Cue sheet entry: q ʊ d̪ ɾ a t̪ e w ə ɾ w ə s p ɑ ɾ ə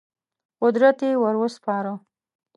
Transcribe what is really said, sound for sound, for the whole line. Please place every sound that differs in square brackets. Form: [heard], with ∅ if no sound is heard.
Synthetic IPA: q ʊ d̪ ɾ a t̪ e w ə ɾ w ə s p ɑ ɾ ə